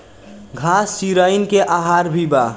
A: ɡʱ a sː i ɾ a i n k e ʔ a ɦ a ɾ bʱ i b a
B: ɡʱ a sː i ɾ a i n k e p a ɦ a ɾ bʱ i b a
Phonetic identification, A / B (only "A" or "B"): A